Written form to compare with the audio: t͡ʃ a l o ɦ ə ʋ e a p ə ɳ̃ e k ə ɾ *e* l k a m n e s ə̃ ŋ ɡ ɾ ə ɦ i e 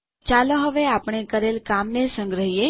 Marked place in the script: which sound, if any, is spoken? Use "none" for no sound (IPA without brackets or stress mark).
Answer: e